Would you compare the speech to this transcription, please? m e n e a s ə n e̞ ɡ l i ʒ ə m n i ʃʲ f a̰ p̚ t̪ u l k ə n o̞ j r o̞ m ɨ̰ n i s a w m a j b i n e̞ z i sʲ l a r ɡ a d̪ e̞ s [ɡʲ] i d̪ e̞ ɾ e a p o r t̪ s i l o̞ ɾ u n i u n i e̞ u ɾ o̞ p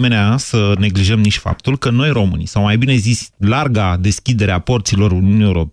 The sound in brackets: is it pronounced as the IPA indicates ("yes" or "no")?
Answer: no